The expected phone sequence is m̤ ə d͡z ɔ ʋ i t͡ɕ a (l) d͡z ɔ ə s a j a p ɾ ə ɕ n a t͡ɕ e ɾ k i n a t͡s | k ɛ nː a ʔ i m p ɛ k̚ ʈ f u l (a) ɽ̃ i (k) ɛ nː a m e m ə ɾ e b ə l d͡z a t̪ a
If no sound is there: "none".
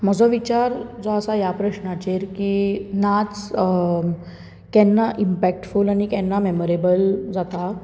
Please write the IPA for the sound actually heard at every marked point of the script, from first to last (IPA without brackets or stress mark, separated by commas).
ɾ, a, k